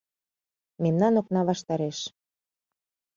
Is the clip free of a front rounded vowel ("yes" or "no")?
yes